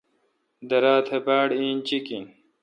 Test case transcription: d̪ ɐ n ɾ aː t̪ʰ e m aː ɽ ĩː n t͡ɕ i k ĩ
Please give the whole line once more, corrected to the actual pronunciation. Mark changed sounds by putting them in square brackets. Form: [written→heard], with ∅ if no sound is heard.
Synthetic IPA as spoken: d̪ ɐ [n→∅] ɾ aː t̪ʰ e [m→b] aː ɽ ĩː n t͡ɕ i k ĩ